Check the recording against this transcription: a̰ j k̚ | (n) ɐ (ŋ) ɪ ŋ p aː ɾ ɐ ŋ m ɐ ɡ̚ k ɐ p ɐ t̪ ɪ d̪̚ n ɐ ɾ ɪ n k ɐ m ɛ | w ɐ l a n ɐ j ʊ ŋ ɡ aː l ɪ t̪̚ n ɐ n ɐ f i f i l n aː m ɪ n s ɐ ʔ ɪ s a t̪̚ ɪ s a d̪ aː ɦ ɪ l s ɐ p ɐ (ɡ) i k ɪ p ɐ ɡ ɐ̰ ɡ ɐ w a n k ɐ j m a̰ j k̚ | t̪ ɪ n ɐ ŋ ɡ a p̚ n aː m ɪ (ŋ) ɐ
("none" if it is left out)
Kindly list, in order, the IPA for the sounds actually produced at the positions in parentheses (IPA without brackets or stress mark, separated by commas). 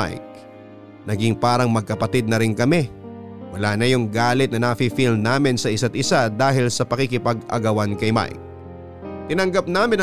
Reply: n, ɡ, k, n